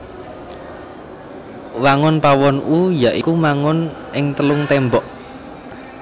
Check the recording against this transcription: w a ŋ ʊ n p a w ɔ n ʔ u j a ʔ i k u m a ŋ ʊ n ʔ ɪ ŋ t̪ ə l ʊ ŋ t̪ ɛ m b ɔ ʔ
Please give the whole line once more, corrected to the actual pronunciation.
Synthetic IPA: w a ŋ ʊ n p a w ɔ n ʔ u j a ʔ i k u m a ŋ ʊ n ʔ ɪ ŋ t̪ ə l ʊ ŋ t̪ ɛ m b ɔ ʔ